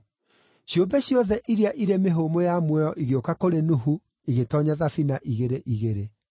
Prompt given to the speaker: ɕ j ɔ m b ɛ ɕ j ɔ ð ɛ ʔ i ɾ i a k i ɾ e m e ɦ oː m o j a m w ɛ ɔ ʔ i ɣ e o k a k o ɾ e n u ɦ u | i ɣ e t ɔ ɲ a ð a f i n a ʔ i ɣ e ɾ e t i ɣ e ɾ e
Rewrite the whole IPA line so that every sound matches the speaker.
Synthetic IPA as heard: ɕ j o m b ɛ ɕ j ɔ ð ɛ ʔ i ɾ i a ʔ i ɾ e m e ɦ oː m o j a m w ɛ ɔ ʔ i ɣ e o k a k o ɾ e n u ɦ u | i ɣ e t ɔ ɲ a ð a f i n a ʔ i ɣ e ɾ e ʔ i ɣ e ɾ e